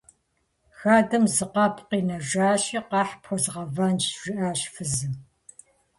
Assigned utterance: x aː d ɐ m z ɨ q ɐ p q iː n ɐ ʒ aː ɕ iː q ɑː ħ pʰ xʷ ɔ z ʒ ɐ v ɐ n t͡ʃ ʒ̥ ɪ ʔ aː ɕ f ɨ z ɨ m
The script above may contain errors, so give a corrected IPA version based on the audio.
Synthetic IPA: x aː d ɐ m z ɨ q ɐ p q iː n ɐ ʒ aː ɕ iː q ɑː ħ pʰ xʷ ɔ z ʁ ɐ v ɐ n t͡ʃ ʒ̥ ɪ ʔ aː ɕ f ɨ z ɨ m

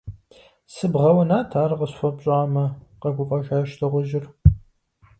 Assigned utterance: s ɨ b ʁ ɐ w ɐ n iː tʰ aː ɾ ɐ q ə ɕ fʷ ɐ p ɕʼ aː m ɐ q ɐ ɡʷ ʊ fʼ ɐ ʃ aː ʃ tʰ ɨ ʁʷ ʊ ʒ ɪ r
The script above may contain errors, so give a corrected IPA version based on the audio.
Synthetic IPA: s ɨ b ʁ ɐ w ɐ n aː tʰ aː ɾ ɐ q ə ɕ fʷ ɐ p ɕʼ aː m ɐ q ɐ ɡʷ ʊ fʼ ɐ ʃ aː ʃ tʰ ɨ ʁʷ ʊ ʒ ɪ r

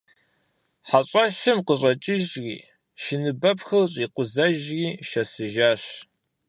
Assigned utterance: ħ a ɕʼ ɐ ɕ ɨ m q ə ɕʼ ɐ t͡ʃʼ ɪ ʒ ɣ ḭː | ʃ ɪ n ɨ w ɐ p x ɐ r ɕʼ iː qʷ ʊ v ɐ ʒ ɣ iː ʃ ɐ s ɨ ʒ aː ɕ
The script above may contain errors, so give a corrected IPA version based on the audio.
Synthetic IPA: ħ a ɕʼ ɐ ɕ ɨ m q ə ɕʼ ɐ t͡ʃʼ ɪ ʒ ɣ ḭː | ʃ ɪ n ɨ b ɐ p x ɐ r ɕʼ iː qʷ ʊ z ɐ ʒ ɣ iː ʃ ɐ s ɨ ʒ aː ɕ

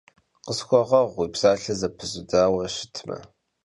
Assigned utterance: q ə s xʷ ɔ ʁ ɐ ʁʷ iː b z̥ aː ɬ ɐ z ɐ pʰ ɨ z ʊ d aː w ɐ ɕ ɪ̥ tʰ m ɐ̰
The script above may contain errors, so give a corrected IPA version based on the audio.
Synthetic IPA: q ə s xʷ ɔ ʁ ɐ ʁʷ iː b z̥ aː ɬ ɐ z ɐ pʰ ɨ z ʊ d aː w ɐ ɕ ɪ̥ tʰ m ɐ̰

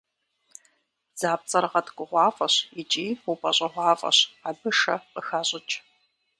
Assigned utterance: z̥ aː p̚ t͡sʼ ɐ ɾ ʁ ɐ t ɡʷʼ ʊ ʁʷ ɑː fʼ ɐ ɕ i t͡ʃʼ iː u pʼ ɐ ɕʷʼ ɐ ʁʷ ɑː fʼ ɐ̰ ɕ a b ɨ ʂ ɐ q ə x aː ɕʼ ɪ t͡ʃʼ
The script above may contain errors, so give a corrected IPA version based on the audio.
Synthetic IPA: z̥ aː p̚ t͡sʼ ɐ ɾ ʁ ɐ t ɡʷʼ ʊ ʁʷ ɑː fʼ ɐ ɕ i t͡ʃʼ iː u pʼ ɐ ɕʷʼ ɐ ʁʷ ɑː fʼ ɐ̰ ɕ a b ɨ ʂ ɐ q ə x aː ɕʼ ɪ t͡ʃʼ

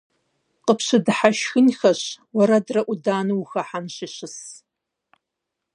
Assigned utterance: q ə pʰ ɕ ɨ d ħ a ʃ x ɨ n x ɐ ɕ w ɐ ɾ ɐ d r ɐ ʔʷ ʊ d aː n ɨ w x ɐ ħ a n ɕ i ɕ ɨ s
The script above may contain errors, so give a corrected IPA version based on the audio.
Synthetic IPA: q ə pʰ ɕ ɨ d ħ a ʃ x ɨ n x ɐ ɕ w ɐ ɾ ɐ d r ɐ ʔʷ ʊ d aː n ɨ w x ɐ ħ a n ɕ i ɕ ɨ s

